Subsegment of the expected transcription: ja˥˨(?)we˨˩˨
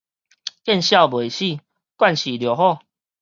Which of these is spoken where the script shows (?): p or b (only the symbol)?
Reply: b